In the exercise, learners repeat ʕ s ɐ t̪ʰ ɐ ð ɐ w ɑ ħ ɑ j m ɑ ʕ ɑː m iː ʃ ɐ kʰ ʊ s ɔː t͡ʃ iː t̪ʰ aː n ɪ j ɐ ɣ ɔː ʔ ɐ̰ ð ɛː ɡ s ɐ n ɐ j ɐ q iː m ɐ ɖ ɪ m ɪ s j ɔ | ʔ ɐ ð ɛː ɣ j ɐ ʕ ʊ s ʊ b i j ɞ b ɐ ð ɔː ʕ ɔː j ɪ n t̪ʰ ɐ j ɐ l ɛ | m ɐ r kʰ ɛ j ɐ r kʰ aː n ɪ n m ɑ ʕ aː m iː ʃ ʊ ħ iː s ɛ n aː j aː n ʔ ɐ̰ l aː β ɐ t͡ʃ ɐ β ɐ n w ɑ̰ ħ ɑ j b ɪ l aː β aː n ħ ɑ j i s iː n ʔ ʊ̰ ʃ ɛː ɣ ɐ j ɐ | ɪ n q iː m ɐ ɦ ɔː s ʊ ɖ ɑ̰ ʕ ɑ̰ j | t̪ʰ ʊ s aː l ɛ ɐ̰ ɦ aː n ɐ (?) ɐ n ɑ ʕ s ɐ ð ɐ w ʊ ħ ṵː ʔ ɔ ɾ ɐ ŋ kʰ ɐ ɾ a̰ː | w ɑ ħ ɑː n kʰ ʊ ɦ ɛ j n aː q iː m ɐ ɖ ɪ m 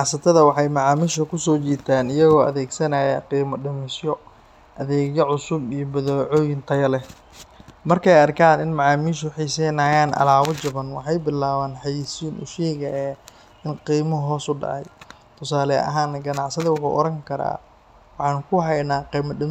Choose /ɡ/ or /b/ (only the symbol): ɡ